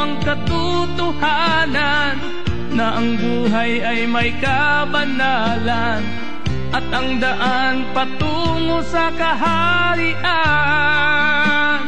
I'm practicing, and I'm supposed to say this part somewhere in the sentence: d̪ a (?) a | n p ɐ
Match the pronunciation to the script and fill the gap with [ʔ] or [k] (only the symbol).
ʔ